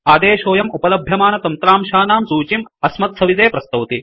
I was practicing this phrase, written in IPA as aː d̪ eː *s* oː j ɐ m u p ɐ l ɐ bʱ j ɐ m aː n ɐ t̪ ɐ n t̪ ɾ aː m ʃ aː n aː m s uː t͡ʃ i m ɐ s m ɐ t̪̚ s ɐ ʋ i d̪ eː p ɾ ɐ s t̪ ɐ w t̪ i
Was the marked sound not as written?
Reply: yes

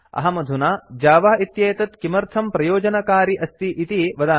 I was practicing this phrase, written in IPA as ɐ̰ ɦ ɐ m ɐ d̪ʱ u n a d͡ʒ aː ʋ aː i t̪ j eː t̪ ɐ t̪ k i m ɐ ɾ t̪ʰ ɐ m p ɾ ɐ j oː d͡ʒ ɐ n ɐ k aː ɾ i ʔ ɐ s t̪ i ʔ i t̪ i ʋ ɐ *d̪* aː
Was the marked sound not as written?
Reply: no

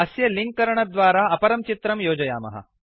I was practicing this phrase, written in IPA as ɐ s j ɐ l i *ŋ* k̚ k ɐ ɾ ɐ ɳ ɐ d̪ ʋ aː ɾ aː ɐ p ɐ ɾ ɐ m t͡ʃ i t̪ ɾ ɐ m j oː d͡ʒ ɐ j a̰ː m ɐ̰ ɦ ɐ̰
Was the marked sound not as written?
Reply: no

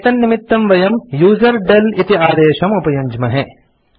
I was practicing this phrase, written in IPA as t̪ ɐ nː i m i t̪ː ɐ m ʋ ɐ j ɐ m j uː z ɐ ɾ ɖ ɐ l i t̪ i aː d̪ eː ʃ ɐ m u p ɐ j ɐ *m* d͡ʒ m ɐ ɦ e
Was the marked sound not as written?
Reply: yes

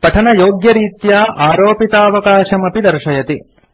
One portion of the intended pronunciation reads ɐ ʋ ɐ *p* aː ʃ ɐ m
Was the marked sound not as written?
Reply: yes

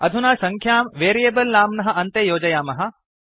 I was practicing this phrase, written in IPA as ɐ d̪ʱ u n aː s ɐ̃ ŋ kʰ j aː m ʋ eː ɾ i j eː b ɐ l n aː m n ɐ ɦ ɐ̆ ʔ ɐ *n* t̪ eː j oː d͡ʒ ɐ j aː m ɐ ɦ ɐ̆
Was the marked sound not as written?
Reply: no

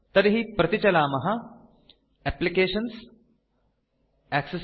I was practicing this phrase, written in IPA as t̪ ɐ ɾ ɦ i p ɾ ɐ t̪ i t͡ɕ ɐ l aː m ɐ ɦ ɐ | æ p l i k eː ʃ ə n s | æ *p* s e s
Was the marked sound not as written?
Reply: yes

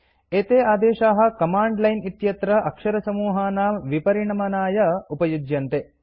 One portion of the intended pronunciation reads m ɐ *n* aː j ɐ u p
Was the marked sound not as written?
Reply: no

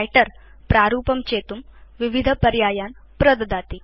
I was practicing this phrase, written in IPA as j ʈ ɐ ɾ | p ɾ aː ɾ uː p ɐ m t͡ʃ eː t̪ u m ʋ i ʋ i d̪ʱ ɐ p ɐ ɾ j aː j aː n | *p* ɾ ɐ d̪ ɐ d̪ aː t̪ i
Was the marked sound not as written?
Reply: no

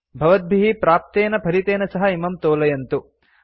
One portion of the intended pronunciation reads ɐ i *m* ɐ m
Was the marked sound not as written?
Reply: no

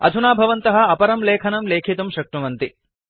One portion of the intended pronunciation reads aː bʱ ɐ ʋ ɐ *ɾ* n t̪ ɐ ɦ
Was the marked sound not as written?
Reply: yes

